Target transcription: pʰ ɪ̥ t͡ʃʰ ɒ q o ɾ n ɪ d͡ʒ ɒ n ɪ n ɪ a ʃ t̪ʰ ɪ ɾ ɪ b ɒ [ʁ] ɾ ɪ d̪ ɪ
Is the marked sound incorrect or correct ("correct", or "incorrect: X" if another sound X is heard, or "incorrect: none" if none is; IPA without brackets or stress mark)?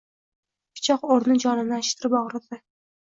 correct